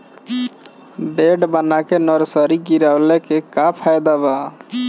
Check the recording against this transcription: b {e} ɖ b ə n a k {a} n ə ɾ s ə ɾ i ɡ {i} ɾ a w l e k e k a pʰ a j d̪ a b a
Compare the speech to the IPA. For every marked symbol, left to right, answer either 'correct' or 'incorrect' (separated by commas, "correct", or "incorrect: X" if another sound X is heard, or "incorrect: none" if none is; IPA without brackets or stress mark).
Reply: correct, incorrect: e, correct